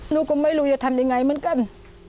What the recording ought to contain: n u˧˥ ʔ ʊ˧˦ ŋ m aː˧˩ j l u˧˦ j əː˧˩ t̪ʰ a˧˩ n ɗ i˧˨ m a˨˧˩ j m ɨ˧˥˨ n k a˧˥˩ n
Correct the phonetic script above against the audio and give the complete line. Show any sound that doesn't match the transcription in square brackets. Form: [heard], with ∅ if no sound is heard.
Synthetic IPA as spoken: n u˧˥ [k] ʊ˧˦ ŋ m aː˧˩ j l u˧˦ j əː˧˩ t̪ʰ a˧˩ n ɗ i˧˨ [ŋ] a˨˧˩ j m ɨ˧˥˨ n k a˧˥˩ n